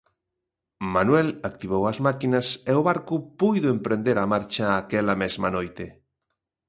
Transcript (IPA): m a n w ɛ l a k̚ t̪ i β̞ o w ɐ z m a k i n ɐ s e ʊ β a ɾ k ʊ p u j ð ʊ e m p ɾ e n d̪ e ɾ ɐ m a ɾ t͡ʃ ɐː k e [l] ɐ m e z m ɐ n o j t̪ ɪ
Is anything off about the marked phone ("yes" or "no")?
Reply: no